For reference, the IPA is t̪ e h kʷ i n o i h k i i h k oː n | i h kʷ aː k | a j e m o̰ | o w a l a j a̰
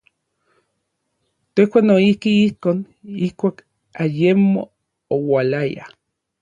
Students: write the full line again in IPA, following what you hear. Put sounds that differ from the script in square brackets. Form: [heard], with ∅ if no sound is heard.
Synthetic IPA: t̪ e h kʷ [a] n o i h k i i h k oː n | i h kʷ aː k | a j e m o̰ | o w a l a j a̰